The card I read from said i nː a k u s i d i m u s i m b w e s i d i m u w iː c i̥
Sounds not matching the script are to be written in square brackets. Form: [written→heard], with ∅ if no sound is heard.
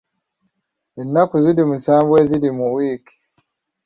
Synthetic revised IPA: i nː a k u [s→z] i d i m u s [i→a] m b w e [s→z] i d i m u w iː [c→k] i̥